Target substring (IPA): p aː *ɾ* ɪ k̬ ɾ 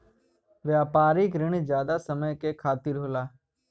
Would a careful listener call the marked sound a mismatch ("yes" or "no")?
no